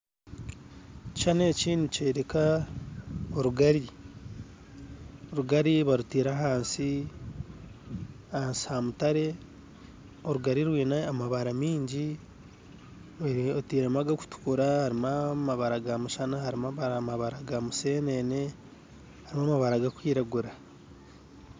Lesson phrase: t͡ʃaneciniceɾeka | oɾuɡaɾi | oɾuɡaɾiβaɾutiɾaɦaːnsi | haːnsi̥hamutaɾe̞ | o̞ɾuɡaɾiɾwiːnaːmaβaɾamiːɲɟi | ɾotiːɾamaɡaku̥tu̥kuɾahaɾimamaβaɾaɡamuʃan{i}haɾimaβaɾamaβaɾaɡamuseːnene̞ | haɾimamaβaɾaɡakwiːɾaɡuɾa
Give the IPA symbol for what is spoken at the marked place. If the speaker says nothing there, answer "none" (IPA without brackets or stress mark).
a